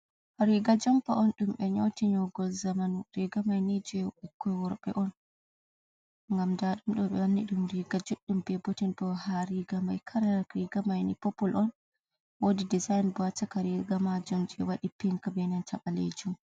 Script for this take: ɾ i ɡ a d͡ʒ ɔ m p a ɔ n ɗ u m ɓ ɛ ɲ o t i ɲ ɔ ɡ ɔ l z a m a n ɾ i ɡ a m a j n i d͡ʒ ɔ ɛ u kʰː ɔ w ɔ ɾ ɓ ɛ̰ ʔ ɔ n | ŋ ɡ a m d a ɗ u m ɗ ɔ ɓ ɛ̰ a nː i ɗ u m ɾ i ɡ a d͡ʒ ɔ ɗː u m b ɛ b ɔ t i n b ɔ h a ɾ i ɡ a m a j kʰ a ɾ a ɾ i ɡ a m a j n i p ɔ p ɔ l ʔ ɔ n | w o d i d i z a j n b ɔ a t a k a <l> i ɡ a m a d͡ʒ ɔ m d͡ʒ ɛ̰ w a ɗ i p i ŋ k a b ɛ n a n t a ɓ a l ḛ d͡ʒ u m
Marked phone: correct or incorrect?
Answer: incorrect